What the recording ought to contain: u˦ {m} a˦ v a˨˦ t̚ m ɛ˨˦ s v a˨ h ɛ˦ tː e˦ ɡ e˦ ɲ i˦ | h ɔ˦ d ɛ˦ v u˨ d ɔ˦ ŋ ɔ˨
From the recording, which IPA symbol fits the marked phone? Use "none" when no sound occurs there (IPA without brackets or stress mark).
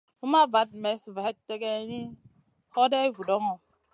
m